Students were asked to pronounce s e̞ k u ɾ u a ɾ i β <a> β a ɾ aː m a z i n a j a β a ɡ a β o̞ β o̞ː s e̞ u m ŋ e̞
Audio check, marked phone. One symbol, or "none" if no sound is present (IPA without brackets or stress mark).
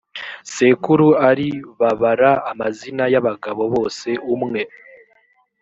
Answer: a